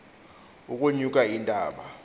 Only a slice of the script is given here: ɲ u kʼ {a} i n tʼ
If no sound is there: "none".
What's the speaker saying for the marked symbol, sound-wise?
a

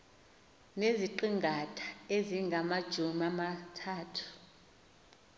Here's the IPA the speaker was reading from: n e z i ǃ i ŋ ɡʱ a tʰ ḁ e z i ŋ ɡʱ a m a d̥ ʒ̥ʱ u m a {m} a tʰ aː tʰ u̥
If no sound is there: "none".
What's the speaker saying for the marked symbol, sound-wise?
m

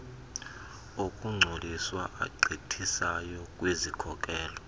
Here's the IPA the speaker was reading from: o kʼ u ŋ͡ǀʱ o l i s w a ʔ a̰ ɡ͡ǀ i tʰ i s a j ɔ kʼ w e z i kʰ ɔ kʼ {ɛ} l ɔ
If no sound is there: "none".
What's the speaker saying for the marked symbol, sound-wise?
ɛː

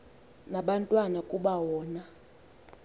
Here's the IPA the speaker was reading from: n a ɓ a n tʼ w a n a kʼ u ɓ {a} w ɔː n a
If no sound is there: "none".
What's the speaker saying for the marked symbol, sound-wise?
a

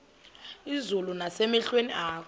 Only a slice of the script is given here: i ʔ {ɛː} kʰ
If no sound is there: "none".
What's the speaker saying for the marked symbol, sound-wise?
aː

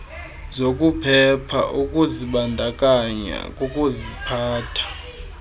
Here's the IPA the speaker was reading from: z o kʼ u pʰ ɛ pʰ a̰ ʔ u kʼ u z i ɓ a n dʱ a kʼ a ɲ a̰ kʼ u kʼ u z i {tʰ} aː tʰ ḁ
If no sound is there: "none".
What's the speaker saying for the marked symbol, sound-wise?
pʰ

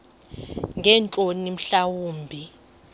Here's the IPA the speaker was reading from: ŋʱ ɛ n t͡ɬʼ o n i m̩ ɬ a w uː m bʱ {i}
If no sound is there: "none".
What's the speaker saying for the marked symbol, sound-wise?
i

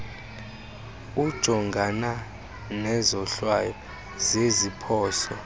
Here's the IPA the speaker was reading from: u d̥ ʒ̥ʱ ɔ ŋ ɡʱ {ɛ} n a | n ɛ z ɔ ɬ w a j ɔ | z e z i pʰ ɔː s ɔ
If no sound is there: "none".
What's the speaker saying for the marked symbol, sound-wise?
a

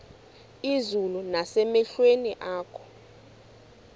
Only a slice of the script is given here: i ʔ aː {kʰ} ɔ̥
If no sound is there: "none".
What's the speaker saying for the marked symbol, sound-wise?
kʰ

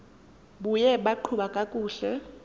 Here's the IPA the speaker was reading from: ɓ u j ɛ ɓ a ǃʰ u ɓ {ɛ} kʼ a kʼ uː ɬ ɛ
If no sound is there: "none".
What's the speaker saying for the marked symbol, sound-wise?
a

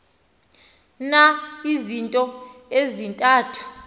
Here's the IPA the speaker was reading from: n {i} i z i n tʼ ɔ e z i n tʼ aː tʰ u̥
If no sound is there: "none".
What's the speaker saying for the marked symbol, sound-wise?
a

